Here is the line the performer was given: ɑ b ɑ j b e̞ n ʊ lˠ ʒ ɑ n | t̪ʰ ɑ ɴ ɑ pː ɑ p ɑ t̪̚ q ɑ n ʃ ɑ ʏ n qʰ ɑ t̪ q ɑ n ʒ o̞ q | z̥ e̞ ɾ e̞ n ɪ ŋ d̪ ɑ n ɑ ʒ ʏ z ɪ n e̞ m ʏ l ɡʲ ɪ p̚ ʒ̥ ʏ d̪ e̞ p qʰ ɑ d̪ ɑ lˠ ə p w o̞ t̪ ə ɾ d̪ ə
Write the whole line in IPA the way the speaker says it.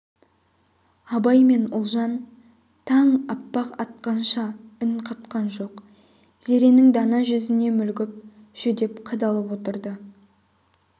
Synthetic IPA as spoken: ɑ b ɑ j m e̞ n ʊ lˠ ʒ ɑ n | t̪ʰ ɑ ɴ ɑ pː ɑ q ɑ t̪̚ q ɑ n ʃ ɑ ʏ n qʰ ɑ t̪ q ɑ n ʒ o̞ q | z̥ e̞ ɾ e̞ n ɪ ŋ d̪ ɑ n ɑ ʒ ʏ z ɪ n e̞ m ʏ l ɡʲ ɪ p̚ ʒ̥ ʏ d̪ e̞ p qʰ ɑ d̪ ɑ lˠ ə p w o̞ t̪ ə ɾ d̪ ə